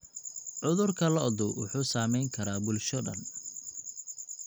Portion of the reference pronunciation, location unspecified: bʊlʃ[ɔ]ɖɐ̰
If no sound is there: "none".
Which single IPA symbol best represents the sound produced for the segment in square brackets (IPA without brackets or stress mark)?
ɔ